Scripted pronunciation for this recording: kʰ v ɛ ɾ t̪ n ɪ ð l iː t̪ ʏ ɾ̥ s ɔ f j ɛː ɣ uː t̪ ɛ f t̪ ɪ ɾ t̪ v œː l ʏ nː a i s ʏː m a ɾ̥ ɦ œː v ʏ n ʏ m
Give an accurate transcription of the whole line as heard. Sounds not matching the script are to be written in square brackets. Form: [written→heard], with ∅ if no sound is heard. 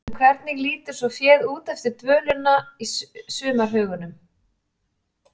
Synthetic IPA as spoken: kʰ v ɛ ɾ t̪ n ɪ [ð→ɣ] l iː t̪ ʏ ɾ̥ s ɔ f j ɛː [ɣ→ð] uː t̪ ɛ f t̪ ɪ ɾ t̪ v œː l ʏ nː a i s ʏː m a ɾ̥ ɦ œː [v→ɣ] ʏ n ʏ m